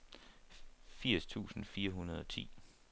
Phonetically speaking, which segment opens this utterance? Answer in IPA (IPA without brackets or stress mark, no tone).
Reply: f